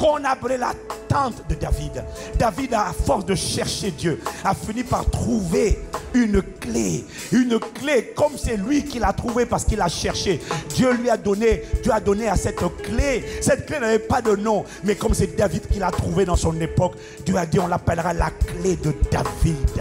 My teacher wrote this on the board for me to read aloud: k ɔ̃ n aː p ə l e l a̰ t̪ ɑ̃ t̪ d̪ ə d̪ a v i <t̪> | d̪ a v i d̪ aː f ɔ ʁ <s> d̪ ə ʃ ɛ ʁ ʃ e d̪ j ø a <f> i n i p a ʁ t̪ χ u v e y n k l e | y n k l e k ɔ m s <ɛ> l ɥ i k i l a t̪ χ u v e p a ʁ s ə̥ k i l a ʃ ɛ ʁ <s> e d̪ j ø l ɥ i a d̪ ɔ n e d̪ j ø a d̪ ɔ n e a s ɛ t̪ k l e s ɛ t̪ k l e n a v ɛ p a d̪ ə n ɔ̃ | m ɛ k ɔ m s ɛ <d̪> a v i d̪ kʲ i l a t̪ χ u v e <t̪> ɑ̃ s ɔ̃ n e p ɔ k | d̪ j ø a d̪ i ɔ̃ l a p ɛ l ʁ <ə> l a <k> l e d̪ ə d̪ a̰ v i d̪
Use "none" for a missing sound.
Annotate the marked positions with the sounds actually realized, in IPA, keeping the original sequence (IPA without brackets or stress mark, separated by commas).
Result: d̪, s, f, ɛ, ʃ, d̪, d̪, a, k